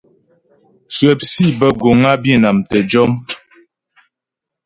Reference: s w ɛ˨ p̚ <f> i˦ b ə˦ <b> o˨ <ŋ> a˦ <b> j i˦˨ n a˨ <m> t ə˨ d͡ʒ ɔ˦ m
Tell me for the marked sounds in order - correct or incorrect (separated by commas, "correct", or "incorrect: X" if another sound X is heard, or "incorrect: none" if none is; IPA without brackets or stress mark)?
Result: incorrect: s, incorrect: ɡ, correct, correct, correct